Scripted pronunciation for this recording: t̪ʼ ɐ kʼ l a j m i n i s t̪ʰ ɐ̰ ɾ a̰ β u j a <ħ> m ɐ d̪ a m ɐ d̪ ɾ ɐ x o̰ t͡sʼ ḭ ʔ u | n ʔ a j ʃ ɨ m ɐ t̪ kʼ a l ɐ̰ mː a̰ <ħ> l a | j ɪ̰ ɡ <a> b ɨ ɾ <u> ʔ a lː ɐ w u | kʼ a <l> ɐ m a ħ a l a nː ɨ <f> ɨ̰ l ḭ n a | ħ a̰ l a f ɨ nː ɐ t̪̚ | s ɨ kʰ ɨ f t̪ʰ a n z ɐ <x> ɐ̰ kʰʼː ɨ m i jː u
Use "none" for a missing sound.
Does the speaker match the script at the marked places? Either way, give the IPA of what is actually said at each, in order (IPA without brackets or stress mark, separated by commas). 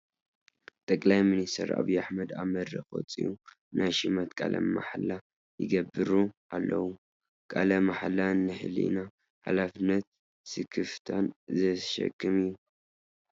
ħ, ħ, ɐ, u, l, ħ, ʃ